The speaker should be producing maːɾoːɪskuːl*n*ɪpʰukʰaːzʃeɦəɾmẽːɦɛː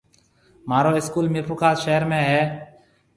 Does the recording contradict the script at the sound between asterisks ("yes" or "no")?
yes